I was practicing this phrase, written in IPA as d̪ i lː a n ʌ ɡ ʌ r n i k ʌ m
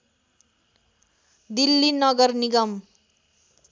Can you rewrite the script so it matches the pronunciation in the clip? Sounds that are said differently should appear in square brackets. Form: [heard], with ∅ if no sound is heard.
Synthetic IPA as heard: d̪ i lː [i] n ʌ ɡ ʌ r n i [ɡ] ʌ m